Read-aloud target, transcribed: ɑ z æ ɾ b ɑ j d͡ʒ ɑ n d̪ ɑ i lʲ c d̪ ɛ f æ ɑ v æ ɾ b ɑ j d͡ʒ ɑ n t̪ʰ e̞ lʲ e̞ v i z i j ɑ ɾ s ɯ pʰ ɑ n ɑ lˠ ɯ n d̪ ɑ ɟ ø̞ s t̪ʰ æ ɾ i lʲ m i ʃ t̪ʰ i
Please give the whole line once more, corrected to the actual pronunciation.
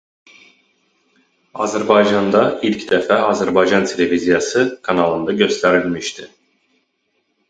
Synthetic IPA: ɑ z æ ɾ b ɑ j d͡ʒ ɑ n d̪ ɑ i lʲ c d̪ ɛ f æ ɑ z æ ɾ b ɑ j d͡ʒ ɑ n t̪ʰ e̞ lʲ e̞ v i z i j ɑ s ɯ kʰ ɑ n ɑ lˠ ɯ n d̪ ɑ ɟ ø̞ s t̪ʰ æ ɾ i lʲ m i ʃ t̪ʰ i

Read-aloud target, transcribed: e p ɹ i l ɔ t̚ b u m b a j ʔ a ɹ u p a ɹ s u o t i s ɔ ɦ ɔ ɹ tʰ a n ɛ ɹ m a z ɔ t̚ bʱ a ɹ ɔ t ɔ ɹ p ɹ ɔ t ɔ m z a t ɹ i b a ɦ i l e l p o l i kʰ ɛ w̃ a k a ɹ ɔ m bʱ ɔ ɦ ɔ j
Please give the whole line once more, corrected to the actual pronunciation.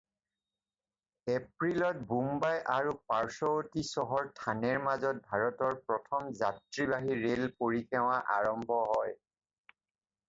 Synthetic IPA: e p ɹ i l ɔ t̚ b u m b a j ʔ a ɹ u p a ɹ s ɔ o t i s ɔ ɦ ɔ ɹ tʰ a n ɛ ɹ m a z ɔ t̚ bʱ a ɹ ɔ t ɔ ɹ p ɹ ɔ tʰ ɔ m z a t ɹ i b a ɦ i ɹ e l p o ɹ i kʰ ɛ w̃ a ʔ a ɹ ɔ m bʱ ɔ ɦ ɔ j

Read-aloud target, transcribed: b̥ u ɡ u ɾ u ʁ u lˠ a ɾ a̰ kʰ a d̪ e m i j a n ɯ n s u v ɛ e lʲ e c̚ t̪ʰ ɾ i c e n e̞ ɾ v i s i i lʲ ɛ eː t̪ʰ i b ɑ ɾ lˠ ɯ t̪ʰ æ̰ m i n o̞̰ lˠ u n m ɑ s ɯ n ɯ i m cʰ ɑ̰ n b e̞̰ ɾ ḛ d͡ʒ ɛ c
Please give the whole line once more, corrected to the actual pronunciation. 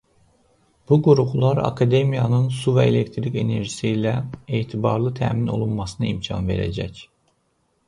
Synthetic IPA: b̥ u ɡ u ɾ u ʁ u lˠ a ɾ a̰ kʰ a d̪ e m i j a n ɯ n s u v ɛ e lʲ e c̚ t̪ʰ ɾ i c e n e̞ ɾ ʒ i s i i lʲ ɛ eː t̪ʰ i b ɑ ɾ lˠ ɯ t̪ʰ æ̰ m i n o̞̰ lˠ u n m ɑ s ɯ n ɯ i m cʰ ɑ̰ n v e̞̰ ɾ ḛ d͡ʒ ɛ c

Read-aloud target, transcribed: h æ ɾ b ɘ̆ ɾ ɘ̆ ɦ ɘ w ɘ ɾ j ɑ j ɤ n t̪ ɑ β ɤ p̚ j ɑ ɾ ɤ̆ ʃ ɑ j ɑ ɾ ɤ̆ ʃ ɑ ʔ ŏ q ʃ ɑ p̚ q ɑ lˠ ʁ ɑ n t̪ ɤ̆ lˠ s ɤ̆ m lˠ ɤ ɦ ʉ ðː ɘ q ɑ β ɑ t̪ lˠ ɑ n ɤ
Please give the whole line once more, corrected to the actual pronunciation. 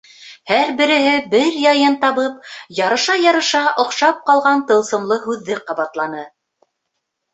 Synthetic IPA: h æ ɾ b ɘ̆ ɾ ɘ̆ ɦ ɘ b ɘ ɾ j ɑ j ɤ n t̪ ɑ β ɤ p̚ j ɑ ɾ ɤ̆ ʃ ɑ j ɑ ɾ ɤ̆ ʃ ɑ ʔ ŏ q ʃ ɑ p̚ q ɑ lˠ ʁ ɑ n t̪ ɤ̆ lˠ s ɤ̆ m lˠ ɤ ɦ ʉ ðː ɘ q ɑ β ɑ t̪ lˠ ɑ n ɤ

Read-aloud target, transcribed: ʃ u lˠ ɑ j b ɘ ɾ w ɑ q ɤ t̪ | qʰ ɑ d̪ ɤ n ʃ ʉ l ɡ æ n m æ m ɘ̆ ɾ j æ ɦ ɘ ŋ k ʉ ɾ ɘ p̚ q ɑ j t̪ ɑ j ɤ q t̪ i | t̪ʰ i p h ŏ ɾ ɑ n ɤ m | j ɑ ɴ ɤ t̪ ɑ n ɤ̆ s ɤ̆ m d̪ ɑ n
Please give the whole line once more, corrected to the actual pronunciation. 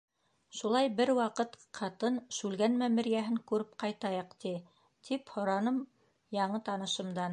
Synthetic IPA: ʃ u lˠ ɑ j b ɘ ɾ w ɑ q ɤ t̪ | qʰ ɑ t̪ ɤ n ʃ ʉ l ɡ æ n m æ m ɘ̆ ɾ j æ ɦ ɘ ŋ k ʉ ɾ ɘ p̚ q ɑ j t̪ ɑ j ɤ q t̪ i | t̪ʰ i p h ŏ ɾ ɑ n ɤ m | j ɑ ɴ ɤ t̪ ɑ n ɤ̆ ʃ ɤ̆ m d̪ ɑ n

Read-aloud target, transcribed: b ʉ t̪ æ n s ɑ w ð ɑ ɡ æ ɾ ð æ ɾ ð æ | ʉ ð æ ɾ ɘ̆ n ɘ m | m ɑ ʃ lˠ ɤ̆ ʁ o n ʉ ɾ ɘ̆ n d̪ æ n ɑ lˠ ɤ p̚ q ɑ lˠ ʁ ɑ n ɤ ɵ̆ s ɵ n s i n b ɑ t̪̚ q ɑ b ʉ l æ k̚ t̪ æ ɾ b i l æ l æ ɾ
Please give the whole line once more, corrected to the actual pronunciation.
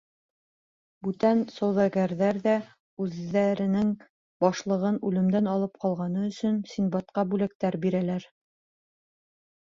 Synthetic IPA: b ʉ t̪ æ n s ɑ w ð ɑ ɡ æ ɾ ð æ ɾ ð æ | ʉ ð æ ɾ ɘ̆ n ɘ ŋ | b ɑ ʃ lˠ ɤ̆ ʁ ɤ n ʉ l ɘ̆ m d̪ æ n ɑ lˠ ɤ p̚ q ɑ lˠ ʁ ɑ n ɤ ɵ̆ s ɵ n s i n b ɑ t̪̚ q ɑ b ʉ l æ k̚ t̪ æ ɾ b i ɾ æ l æ ɾ

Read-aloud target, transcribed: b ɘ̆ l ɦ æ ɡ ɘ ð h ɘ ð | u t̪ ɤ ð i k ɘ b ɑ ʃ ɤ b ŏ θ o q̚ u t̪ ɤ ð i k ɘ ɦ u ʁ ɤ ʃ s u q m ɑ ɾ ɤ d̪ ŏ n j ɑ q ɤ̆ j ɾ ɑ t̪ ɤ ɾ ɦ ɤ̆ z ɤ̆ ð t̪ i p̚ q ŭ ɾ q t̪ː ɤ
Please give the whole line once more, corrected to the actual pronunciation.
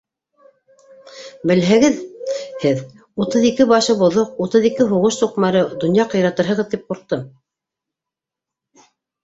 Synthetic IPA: b ɘ̆ l ɦ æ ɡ ɘ ð h ɘ ð | u t̪ ɤ ð i k ɘ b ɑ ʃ ɤ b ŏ ð o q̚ u t̪ ɤ ð i k ɘ ɦ u ʁ ɤ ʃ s u q m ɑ ɾ ɤ d̪ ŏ n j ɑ q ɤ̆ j ɾ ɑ t̪ ɤ ɾ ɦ ɤ̆ ʁ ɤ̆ ð t̪ i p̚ q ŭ ɾ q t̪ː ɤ

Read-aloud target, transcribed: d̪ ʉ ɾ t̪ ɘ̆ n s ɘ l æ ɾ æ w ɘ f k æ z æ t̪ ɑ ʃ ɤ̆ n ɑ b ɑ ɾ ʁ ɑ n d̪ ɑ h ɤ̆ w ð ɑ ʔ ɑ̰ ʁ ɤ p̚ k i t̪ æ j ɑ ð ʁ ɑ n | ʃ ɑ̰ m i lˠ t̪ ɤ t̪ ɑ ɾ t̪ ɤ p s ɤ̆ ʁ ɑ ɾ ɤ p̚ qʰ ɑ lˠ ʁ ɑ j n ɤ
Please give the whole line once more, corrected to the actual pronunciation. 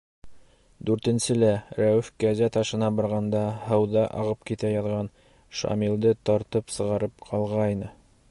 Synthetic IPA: d̪ ʉ ɾ t̪ ɘ̆ n s ɘ l æ ɾ æ w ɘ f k æ z æ t̪ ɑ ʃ ɤ̆ n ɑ b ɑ ɾ ʁ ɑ n d̪ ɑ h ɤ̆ w ð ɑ ʔ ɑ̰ ʁ ɤ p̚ k i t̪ æ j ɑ ð ʁ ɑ n | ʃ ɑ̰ m i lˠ d̪ ɤ t̪ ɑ ɾ t̪ ɤ p s ɤ̆ ʁ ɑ ɾ ɤ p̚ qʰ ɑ lˠ ʁ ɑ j n ɤ

